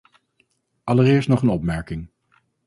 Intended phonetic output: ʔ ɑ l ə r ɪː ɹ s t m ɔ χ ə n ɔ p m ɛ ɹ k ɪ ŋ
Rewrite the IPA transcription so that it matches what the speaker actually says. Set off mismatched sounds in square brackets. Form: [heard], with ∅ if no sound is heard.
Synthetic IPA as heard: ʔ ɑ l ə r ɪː ɹ s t [n] ɔ χ ə n ɔ p m ɛ ɹ k ɪ ŋ